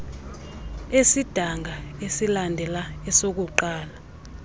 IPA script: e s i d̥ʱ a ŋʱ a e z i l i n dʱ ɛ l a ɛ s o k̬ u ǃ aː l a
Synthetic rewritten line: e s i d̥ʱ a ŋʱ a e s i l a n dʱ ɛ l a ɛ s o k̬ u ǃ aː l a